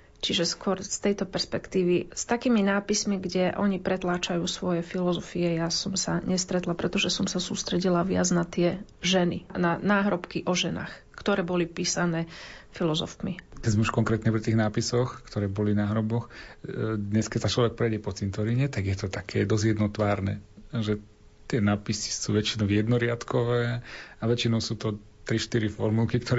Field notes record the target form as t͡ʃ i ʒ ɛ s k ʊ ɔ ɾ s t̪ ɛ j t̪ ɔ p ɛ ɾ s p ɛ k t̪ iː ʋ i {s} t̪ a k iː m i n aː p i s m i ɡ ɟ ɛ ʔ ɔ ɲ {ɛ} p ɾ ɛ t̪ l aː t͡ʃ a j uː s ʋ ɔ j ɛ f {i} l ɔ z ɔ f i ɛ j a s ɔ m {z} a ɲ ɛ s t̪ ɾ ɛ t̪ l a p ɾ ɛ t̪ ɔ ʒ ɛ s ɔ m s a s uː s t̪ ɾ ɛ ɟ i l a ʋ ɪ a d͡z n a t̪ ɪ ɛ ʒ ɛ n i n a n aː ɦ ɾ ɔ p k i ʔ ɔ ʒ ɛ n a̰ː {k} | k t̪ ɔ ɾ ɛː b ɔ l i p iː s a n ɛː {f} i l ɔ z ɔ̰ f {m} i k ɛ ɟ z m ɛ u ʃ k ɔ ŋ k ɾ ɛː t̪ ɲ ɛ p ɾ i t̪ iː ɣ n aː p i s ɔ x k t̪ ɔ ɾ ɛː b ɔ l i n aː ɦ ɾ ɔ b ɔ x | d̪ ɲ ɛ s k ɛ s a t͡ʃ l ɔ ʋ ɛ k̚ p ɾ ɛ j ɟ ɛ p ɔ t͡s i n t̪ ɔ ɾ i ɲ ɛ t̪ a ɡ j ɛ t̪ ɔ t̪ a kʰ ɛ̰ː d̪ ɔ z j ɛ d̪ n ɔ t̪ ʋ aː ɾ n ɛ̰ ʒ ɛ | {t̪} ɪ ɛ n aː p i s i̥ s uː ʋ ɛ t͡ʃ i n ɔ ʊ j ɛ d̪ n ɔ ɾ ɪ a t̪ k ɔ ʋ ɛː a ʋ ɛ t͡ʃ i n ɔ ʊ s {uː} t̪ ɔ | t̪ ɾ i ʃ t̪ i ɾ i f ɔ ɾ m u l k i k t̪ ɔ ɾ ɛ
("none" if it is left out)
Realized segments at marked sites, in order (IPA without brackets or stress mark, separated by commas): s, i, i, s, x, f, m, t̪, uː